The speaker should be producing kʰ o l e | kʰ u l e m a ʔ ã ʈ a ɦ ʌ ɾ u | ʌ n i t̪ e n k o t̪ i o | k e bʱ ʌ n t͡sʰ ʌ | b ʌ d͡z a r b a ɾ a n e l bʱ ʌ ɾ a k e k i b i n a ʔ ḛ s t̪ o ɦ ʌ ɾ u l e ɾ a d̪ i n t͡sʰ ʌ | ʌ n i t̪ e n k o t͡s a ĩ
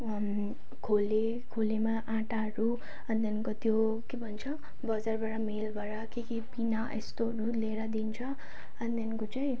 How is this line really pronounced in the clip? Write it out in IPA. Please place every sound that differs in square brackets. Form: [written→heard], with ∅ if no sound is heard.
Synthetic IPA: kʰ o l e | kʰ [u→o] l e m a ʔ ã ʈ a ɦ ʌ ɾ u | ʌ n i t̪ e n k o t̪ [i→j] o | k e bʱ ʌ n t͡sʰ ʌ | b ʌ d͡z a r b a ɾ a [n→m] e l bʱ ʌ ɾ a k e k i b i n a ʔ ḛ s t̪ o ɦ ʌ ɾ u l e ɾ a d̪ i n t͡sʰ ʌ | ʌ n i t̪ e n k o t͡s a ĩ